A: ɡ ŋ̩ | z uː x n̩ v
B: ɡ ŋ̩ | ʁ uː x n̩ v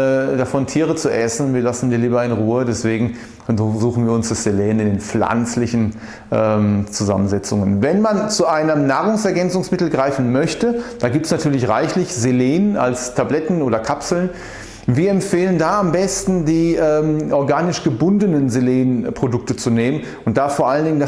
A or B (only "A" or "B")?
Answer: A